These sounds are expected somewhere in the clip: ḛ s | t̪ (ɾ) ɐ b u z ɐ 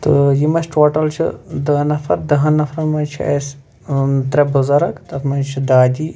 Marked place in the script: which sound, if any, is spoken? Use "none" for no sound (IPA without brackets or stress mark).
ɾ